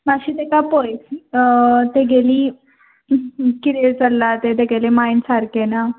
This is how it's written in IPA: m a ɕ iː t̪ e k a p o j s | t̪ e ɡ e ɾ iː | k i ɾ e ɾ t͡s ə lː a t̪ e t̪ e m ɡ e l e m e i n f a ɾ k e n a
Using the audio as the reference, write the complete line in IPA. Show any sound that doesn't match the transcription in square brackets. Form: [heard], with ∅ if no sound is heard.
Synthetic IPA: m a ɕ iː t̪ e k a p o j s | t̪ e ɡ e [l] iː | k i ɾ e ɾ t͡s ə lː a t̪ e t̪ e [∅] ɡ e l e m [a] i n [s] a ɾ k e n a